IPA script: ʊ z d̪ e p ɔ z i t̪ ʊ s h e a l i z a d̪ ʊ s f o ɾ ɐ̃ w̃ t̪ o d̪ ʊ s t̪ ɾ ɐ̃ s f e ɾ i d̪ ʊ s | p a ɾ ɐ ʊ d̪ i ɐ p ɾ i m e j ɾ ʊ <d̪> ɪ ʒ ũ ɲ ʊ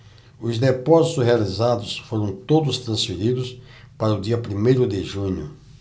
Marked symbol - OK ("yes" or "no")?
yes